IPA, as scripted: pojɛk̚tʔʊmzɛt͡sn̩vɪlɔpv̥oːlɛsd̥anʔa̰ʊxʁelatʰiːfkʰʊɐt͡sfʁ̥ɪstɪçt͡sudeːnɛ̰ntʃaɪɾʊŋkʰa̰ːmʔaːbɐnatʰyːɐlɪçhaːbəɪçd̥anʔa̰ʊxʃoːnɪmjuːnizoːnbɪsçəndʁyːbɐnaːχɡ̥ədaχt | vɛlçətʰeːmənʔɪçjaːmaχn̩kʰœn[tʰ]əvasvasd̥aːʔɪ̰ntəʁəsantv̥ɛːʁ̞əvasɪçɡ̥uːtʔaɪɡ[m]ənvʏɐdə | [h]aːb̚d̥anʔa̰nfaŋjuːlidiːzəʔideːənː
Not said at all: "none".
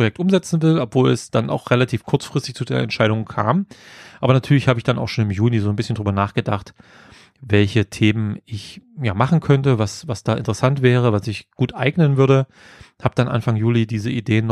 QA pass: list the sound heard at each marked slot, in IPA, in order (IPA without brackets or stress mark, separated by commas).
t, n, h